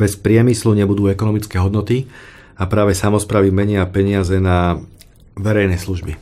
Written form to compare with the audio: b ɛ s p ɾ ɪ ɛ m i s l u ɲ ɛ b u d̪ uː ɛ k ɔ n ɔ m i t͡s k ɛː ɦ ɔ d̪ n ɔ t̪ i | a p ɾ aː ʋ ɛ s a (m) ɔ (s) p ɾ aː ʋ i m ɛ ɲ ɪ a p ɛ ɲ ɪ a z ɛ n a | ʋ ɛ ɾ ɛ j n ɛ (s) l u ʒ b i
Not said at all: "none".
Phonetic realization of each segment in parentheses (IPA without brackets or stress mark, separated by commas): m, s, s